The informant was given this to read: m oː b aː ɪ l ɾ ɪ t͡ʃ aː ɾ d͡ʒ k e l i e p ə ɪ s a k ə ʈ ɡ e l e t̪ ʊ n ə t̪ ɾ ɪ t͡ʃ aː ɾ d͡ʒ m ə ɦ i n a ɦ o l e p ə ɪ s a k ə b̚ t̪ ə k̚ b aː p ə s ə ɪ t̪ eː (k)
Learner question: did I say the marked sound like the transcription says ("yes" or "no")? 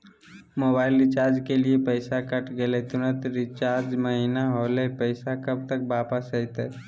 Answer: no